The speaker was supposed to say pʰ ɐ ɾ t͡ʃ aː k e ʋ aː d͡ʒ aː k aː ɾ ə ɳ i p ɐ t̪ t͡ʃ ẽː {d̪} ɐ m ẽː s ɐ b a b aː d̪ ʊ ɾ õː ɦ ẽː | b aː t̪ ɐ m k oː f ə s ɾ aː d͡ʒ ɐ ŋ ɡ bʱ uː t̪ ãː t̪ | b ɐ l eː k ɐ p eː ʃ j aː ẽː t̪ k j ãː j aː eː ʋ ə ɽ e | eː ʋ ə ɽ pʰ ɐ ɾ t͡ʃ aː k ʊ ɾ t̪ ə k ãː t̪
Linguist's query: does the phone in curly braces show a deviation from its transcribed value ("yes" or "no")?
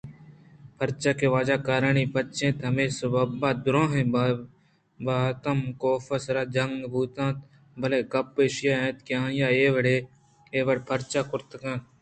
yes